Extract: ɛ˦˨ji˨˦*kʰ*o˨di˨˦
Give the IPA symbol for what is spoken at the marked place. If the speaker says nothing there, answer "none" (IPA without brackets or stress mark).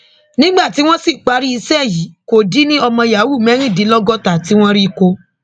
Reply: k